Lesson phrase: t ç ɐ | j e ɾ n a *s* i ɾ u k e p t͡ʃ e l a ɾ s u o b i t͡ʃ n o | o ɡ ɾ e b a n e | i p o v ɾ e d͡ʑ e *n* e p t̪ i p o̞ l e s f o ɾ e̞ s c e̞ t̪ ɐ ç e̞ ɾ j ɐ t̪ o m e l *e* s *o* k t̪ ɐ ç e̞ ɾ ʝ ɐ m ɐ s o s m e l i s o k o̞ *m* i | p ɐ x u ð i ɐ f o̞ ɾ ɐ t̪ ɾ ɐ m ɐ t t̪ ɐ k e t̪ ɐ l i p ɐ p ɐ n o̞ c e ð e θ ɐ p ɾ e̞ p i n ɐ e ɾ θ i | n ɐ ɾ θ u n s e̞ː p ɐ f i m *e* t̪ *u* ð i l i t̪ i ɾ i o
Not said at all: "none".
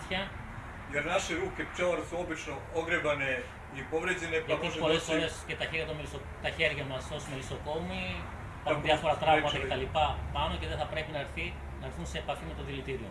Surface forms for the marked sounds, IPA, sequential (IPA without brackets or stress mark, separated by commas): ʃ, n, i, o, m, e, o